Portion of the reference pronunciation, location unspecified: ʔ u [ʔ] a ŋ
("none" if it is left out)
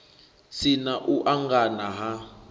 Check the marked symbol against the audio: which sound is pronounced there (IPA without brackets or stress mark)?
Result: ʔ